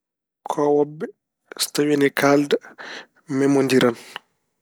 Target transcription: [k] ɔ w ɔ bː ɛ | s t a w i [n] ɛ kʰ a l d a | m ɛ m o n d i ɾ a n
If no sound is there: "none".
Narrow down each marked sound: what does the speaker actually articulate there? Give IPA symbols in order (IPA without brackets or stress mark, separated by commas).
kʰ, n